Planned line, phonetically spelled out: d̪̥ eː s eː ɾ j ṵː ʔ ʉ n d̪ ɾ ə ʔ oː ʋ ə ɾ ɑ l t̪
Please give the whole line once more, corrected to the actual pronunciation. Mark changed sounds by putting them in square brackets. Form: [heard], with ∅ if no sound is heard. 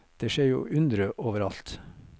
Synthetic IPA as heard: d̪̥ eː [ʃ] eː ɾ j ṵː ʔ ʉ n d̪ ɾ ə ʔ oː ʋ ə ɾ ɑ l t̪